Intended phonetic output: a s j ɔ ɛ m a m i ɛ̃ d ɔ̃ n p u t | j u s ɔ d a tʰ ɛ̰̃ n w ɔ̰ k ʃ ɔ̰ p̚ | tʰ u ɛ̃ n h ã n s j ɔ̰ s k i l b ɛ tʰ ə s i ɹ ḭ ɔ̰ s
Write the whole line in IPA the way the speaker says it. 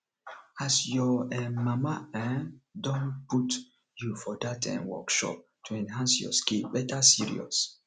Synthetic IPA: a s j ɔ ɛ m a m a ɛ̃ d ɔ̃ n p u t | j u f ɔ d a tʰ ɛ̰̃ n w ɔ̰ k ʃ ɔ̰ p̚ | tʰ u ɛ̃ n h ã n s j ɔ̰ s k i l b ɛ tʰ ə s i ɹ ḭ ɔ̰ s